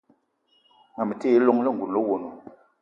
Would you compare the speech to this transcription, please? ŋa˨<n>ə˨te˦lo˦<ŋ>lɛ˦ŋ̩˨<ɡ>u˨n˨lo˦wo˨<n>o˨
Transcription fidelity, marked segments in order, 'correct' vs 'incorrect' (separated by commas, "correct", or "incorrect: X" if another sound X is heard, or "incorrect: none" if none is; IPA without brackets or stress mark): incorrect: m, correct, correct, correct